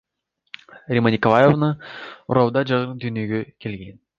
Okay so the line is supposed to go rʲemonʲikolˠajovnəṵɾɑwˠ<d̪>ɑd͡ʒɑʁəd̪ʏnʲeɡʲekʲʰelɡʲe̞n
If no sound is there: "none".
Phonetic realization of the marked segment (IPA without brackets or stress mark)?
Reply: d̪